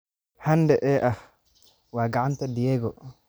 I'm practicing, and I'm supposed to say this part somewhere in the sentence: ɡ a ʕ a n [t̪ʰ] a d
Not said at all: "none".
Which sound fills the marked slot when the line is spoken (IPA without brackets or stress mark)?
t̪